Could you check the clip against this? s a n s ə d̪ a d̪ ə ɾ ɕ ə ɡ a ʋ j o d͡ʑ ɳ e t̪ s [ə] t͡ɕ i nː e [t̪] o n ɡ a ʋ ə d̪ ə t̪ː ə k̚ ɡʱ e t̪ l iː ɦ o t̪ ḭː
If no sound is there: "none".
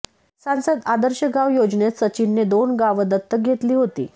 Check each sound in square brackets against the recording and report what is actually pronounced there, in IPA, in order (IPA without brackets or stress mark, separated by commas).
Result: ə, d̪